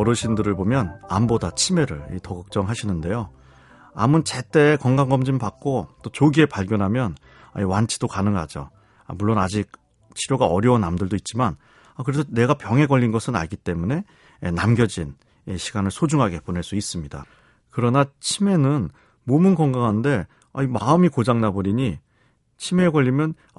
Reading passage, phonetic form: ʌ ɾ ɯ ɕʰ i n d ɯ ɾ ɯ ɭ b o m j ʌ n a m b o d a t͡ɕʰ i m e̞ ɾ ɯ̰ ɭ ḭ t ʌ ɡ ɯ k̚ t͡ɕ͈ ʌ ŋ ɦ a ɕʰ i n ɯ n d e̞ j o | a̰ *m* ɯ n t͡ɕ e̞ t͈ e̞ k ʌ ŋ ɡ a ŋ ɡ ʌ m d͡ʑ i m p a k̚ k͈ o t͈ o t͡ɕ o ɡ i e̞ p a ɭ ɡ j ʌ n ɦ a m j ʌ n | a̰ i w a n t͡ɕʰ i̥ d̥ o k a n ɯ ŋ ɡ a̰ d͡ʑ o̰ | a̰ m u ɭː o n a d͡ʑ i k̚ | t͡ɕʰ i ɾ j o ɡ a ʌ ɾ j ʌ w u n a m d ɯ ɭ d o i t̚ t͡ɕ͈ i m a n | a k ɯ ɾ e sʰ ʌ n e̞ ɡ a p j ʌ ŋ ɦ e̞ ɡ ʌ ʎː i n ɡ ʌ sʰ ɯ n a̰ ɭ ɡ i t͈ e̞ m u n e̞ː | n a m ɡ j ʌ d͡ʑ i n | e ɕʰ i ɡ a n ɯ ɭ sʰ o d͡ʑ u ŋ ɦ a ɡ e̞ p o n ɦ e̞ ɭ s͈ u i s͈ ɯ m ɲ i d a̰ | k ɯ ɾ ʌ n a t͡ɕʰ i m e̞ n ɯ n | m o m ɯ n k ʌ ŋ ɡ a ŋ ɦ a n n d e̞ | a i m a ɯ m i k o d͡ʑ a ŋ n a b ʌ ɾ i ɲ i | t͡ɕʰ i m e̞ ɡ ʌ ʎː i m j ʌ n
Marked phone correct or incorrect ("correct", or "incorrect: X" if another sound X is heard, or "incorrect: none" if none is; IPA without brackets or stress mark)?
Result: correct